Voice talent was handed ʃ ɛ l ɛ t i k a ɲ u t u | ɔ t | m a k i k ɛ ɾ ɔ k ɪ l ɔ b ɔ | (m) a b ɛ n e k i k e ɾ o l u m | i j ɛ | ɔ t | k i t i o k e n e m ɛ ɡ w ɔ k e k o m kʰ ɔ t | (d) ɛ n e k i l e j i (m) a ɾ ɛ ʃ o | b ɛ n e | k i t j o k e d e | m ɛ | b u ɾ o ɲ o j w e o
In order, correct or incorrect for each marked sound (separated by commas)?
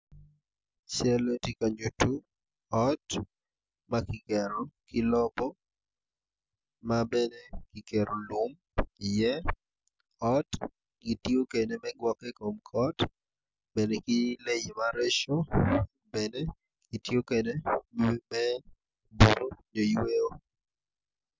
correct, incorrect, correct